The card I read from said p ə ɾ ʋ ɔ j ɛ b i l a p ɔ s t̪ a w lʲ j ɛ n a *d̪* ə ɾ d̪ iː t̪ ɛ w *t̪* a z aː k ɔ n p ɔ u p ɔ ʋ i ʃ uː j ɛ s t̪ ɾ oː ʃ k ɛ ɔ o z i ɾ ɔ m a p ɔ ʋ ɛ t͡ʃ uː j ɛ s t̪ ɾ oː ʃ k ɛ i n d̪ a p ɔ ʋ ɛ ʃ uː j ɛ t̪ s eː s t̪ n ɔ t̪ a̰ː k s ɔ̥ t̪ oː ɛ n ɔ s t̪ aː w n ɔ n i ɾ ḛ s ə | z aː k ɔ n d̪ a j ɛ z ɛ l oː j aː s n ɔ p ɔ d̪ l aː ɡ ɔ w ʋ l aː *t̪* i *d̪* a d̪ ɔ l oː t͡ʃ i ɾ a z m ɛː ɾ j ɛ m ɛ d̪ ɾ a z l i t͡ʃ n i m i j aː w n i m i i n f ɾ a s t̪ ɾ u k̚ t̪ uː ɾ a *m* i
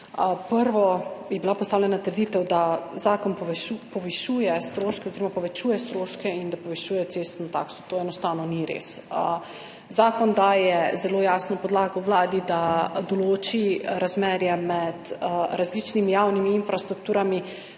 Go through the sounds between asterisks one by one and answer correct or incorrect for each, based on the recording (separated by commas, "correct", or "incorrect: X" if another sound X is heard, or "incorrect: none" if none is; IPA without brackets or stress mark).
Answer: incorrect: t̪, incorrect: d̪, incorrect: d̪, correct, correct